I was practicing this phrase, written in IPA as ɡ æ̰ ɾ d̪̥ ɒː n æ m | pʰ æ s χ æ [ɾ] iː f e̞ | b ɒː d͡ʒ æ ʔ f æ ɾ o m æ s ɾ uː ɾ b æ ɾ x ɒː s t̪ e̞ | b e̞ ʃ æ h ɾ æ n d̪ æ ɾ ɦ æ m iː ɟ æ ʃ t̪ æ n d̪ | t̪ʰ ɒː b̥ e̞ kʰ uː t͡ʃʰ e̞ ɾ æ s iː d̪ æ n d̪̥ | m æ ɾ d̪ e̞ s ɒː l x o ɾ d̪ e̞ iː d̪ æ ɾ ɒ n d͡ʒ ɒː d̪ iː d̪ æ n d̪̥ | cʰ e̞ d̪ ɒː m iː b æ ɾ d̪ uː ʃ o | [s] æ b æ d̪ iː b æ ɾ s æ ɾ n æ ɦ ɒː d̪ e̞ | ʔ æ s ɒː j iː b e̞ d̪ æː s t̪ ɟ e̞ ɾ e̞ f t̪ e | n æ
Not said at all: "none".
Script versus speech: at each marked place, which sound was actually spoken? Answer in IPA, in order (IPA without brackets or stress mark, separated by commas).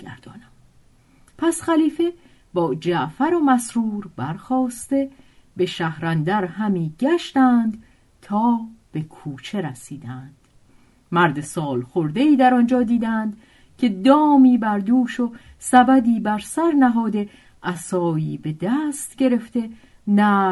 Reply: l, s